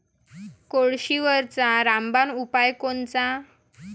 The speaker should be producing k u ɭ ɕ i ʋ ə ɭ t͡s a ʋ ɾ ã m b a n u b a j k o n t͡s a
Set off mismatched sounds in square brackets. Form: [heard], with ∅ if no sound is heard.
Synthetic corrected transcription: k [o] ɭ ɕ i ʋ ə [ɾ] t͡s a [∅] ɾ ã m b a n u [p] a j k o n t͡s a